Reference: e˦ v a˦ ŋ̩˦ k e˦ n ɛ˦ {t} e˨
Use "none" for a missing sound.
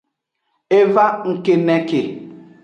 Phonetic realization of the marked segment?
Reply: k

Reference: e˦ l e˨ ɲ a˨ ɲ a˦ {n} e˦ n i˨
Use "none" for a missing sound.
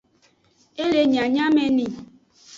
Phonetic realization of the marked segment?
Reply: m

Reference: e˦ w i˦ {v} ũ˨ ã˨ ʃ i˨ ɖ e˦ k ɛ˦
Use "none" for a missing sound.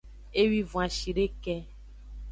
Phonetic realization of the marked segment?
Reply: v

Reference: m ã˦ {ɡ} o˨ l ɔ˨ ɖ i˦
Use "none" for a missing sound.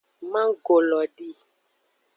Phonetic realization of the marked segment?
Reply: ɡ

